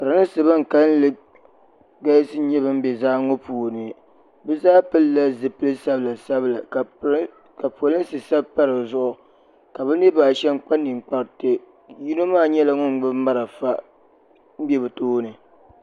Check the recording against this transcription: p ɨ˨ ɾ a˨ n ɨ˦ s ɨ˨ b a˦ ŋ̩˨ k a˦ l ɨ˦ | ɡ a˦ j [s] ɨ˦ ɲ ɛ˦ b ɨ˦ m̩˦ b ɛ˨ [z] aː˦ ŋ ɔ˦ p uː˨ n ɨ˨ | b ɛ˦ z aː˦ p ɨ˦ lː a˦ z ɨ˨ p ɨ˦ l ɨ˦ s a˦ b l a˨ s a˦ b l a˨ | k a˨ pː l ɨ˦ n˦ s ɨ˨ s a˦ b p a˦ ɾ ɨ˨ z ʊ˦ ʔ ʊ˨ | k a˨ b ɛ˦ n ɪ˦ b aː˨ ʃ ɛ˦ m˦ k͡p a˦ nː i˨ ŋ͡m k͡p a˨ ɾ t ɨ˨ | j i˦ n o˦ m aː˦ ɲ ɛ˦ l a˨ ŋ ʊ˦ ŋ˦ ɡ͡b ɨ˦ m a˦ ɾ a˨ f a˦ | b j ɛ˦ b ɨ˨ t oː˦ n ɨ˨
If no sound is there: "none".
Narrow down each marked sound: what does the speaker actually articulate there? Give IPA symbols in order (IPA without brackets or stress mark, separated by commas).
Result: s, z